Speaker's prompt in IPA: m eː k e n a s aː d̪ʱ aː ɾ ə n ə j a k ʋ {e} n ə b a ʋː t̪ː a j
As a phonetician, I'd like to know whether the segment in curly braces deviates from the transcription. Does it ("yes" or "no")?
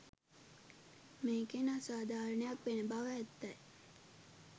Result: no